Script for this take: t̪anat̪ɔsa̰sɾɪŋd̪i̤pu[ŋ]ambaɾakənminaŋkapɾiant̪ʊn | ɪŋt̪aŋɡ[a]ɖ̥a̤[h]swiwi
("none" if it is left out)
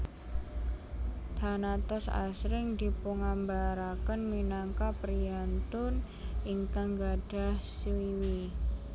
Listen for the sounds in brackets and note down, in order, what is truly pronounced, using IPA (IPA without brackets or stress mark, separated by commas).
ŋ, a, h